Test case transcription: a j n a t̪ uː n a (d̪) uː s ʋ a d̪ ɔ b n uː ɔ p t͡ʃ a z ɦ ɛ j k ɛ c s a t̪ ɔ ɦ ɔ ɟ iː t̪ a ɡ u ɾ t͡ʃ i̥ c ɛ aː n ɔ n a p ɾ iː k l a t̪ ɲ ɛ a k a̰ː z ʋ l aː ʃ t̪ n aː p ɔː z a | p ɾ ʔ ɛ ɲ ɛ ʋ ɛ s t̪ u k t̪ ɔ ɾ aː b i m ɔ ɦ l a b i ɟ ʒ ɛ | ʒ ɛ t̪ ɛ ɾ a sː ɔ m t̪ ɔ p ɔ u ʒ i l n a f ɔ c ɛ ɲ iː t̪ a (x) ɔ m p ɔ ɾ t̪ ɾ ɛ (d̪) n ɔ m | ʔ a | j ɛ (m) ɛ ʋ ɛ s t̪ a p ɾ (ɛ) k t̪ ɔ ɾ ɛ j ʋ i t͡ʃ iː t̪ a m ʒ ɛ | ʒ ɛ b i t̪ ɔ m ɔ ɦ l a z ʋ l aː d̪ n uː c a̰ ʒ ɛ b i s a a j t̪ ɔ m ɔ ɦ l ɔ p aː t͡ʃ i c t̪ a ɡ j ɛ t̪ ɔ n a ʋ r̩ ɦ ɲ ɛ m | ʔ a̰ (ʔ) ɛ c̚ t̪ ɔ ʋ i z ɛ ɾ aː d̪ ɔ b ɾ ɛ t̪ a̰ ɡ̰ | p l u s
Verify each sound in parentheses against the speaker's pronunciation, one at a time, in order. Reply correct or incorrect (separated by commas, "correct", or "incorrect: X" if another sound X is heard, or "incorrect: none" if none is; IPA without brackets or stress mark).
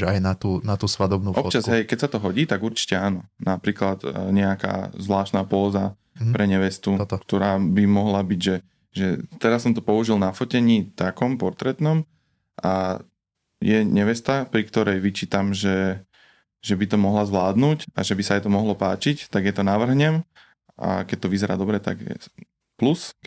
incorrect: t̪, incorrect: k, incorrect: t̪, incorrect: ɲ, incorrect: i, incorrect: k